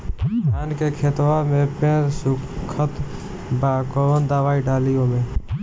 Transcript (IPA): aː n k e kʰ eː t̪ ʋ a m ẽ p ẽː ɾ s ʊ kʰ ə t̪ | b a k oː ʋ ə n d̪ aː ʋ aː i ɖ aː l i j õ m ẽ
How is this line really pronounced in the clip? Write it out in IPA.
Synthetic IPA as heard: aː n k e kʰ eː t̪ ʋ a m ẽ p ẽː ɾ s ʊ kʰ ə t̪ | b a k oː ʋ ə n d̪ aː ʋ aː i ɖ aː l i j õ m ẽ